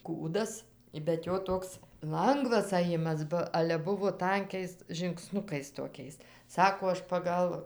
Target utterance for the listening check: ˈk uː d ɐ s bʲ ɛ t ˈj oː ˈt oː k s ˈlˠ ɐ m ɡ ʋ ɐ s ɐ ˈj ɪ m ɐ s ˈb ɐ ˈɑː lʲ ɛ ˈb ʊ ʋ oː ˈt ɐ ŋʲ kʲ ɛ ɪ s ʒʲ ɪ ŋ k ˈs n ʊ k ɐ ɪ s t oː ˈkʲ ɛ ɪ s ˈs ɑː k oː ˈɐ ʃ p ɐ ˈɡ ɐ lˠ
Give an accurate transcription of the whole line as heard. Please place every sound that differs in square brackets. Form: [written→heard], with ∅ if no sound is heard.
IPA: ˈk uː d ɐ s bʲ ɛ t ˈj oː ˈt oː k s ˈlˠ ɐ [m→ŋ] ɡ ʋ ɐ s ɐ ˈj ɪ m ɐ s ˈb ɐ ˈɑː lʲ ɛ ˈb ʊ ʋ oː ˈt ɐ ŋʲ kʲ ɛ ɪ s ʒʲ ɪ ŋ k ˈs n ʊ k ɐ ɪ s t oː ˈkʲ ɛ ɪ s ˈs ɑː k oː ˈɐ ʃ p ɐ ˈɡ ɐ lˠ